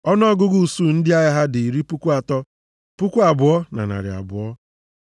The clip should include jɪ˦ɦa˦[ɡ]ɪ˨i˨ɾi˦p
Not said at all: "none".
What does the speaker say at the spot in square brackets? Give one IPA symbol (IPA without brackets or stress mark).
d